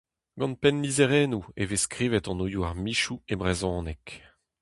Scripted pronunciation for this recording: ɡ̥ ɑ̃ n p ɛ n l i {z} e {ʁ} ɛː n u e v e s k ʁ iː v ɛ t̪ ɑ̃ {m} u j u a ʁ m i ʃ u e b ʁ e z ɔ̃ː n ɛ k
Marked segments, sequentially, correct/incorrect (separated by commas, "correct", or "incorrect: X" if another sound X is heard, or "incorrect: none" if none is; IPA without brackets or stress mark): correct, correct, incorrect: n